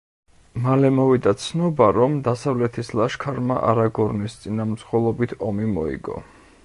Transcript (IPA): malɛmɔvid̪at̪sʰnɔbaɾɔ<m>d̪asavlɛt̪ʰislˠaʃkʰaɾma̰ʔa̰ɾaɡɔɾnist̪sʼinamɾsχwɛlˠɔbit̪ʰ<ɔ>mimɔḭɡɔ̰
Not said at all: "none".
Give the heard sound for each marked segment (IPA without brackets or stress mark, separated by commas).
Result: m, ɔ